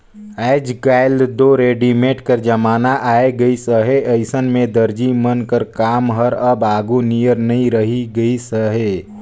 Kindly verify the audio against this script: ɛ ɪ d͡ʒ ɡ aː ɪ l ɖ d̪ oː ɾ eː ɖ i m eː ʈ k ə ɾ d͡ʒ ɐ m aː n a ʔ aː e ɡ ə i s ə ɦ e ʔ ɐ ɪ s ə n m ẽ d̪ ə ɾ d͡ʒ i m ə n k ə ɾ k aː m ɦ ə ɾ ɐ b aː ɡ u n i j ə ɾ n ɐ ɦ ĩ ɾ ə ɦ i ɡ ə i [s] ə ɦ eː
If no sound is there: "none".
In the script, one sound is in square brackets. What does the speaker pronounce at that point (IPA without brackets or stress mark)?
s